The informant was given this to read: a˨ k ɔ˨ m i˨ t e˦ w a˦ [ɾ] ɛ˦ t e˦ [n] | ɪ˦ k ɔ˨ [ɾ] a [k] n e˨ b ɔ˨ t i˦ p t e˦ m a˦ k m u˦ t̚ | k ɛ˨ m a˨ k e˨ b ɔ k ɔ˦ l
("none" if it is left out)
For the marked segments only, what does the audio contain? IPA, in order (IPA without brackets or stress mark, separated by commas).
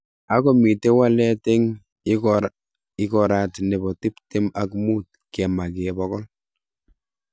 l, ŋ, ɾ, t